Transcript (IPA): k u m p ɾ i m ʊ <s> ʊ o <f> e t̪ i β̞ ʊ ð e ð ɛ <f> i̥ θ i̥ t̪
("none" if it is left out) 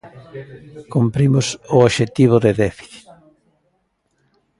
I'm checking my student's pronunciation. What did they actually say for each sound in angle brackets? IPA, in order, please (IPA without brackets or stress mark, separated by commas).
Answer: s, ʃ, f